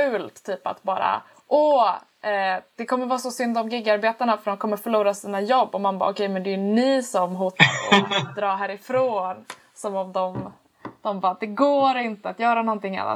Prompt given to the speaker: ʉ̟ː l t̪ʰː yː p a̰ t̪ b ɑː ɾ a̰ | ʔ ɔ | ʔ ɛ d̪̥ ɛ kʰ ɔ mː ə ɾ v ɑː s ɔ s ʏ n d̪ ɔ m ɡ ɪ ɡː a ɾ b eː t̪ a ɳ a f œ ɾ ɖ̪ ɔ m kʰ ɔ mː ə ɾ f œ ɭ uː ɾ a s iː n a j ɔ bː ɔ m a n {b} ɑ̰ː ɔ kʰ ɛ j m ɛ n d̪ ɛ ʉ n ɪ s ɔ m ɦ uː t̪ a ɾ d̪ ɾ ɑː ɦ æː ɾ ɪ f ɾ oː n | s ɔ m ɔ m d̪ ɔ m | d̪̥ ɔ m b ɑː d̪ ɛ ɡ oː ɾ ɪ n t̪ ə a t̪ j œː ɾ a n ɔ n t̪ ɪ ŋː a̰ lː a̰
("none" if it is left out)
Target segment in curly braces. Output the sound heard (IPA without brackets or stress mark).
b